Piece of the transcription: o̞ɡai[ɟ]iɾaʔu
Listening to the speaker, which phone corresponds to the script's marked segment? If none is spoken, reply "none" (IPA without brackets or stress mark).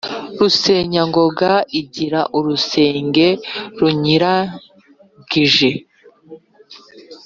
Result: ɟ